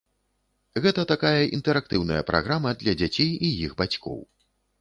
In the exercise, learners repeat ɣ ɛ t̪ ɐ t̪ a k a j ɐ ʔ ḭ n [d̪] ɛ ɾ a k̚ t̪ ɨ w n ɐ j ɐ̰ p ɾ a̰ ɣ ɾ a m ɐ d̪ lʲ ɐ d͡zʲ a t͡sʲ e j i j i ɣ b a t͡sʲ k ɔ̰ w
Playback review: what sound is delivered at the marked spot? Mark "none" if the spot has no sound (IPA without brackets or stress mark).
t̪